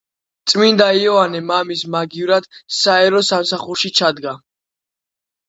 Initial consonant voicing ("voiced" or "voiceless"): voiceless